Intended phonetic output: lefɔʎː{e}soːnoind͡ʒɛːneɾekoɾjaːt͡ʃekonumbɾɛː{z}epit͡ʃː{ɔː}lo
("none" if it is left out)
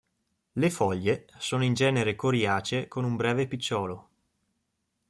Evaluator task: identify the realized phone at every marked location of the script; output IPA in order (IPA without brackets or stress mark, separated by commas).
e, v, ɔː